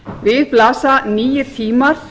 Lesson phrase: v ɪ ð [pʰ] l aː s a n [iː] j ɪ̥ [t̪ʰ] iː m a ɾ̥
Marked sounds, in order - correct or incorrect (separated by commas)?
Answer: incorrect, correct, correct